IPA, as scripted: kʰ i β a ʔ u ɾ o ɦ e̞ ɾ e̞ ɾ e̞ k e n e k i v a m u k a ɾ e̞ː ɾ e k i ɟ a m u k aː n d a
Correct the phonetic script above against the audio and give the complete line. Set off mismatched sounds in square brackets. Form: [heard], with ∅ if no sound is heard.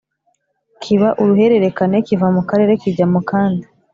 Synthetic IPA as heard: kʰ i β a ʔ u ɾ [u] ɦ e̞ ɾ e̞ ɾ e̞ k [a] n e k i v a m u k a ɾ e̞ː ɾ e k i ɟ a m u k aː n d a

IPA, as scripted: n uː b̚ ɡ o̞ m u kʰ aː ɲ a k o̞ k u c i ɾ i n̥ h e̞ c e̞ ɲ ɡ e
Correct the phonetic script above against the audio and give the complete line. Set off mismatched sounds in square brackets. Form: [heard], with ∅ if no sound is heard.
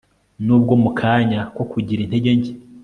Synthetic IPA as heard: n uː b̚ ɡ o̞ m u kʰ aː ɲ a k o̞ k u [ɟ] i ɾ i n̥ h e̞ [ɟ] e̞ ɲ [ɟ] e

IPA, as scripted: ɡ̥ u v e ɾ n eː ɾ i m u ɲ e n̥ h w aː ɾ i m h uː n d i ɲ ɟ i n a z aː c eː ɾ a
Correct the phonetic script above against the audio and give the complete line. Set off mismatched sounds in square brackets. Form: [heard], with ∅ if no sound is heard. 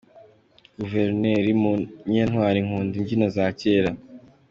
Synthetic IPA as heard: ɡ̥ u v e ɾ n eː ɾ i m u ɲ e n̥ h w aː ɾ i [ŋ] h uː n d i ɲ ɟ i n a z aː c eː ɾ a

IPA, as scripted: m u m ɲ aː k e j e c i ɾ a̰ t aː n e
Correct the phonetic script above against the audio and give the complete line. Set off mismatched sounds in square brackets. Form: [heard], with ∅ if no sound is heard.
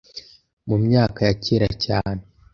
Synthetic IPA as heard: m u m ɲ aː k [a] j [a] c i ɾ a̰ [c] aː n e

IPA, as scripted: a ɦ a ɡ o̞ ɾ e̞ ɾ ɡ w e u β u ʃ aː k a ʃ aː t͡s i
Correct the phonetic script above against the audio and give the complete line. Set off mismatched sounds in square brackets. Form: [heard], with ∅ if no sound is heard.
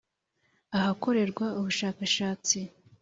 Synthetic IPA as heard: a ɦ a [k] o̞ ɾ e̞ ɾ ɡ w [a] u β u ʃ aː k a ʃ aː t͡s i

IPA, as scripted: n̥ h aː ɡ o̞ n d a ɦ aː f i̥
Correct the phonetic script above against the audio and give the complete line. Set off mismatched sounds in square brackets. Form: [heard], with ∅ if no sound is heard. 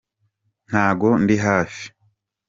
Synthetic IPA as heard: n̥ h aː ɡ o̞ n d [i] ɦ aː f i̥

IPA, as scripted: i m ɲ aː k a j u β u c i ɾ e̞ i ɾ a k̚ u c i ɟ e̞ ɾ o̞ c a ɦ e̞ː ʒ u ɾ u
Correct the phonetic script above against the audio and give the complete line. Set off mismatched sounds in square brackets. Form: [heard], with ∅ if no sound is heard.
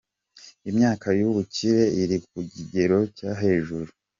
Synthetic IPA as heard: i m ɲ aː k a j u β u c i ɾ e̞ i ɾ [i] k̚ u [ɟ] i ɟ e̞ ɾ o̞ c a ɦ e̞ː ʒ u ɾ u

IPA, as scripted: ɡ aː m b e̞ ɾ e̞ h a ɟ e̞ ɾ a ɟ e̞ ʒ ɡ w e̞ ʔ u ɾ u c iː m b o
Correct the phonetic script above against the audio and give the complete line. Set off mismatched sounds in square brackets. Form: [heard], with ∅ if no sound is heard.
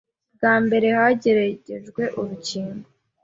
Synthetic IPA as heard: ɡ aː m b e̞ ɾ e̞ h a ɟ e̞ ɾ a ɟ e̞ ʒ ɡ w e̞ ʔ u ɾ u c iː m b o

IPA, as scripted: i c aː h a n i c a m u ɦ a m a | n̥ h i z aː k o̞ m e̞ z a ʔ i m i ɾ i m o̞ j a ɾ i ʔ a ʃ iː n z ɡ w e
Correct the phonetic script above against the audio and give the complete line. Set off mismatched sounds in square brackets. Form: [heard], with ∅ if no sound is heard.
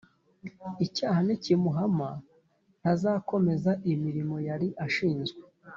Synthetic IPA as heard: i c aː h a n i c [i] m u ɦ a m a | n̥ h [a] z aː k o̞ m e̞ z a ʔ i m i ɾ i m o̞ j a ɾ i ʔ a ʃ iː n z ɡ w e

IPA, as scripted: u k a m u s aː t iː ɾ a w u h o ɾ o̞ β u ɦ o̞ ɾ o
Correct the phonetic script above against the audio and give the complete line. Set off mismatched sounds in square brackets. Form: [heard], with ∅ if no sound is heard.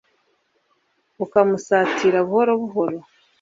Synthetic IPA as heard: u k a m u s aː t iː ɾ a [β] u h o ɾ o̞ β u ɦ o̞ ɾ o

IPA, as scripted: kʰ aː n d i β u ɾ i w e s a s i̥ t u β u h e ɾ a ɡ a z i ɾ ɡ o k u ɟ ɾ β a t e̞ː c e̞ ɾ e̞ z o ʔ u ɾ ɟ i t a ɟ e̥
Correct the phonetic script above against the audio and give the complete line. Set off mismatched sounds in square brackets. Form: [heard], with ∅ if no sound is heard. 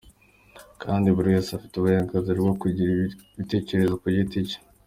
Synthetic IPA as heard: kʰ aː n d i β u ɾ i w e s a [f] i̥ t u β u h e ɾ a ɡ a z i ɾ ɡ o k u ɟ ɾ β [i] t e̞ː c e̞ ɾ e̞ z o [k] u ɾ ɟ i t [i] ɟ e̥

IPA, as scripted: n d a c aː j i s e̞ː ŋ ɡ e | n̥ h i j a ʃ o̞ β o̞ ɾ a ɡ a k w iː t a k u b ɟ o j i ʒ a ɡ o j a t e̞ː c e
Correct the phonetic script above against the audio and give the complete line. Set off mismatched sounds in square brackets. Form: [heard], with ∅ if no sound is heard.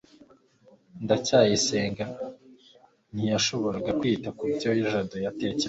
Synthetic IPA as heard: n d a c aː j i s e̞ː ŋ ɡ [a] | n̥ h i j a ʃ o̞ β o̞ ɾ a ɡ a k w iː t a k u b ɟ o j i ʒ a [d] o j a t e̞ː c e

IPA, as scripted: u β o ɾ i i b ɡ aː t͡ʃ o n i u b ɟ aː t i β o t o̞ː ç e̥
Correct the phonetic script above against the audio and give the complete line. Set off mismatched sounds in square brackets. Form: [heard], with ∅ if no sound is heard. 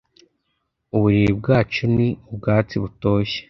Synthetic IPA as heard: u β [u] ɾ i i b ɡ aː t͡ʃ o n i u b [ɡ] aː [t͡s] i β [u] t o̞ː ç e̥

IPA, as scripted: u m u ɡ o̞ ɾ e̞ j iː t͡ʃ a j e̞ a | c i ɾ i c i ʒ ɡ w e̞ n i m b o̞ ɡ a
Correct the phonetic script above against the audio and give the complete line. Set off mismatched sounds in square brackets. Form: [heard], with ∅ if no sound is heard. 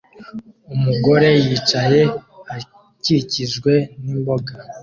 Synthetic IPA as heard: u m u ɡ o̞ ɾ e̞ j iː t͡ʃ a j e̞ a | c i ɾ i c i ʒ ɡ w e̞ n i m b o̞ ɡ a

